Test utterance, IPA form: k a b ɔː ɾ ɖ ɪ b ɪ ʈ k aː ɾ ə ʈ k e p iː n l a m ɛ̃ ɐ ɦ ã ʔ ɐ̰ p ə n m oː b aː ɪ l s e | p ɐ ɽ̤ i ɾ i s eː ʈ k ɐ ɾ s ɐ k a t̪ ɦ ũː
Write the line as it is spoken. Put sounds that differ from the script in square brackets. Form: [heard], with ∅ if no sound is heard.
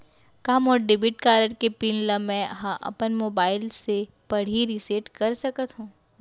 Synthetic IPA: k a [m] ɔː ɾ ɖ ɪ b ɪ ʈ k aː ɾ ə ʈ k e p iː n l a m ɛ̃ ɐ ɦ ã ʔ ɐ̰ p ə n m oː b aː ɪ l s e | p ɐ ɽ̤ i ɾ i s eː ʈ k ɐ ɾ s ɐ k [ə] t̪ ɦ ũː